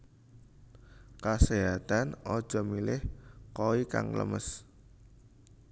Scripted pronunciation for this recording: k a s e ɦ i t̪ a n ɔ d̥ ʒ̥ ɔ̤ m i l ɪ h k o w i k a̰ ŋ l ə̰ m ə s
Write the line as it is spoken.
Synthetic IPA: k a s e ɦ a t̪ a n ɔ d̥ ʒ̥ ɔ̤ m i l ɪ h k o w i k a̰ ŋ l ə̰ m ə s